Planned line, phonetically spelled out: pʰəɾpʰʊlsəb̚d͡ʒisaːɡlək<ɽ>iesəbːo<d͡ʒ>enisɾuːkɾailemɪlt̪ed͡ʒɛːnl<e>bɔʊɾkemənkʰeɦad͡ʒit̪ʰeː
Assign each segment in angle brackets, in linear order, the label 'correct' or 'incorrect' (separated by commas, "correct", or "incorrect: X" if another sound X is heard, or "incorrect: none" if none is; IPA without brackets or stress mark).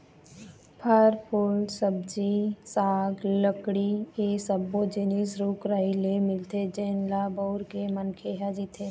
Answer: correct, correct, incorrect: a